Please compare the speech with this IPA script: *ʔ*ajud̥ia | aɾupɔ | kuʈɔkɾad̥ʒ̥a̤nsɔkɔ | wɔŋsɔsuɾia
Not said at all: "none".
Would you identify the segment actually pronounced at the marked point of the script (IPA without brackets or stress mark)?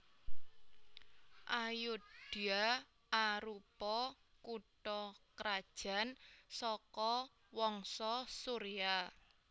ʔ